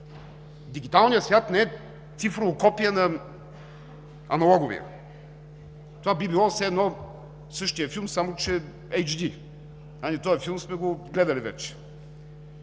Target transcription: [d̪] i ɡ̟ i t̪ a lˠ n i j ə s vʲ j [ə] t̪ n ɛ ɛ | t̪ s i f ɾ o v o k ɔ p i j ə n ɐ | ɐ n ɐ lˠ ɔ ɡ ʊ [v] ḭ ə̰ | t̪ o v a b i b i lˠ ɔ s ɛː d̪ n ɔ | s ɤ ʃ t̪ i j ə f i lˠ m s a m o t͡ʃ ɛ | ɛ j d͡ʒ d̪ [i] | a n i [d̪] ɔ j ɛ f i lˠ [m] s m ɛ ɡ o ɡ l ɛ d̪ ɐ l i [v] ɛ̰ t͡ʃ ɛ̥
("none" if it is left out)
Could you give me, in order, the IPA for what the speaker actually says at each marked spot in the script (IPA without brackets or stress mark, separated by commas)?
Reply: d̪, a, v, i, t̪, m, v